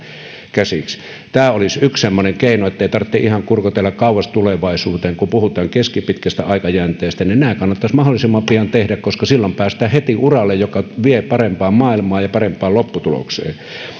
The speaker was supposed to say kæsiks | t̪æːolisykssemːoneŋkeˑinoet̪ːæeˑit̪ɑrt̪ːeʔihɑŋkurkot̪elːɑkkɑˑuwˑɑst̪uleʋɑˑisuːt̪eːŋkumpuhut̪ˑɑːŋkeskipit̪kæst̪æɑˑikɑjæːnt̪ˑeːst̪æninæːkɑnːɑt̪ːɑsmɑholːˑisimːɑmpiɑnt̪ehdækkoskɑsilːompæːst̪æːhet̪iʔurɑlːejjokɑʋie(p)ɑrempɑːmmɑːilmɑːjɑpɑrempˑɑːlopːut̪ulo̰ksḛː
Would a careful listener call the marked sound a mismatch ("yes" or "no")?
no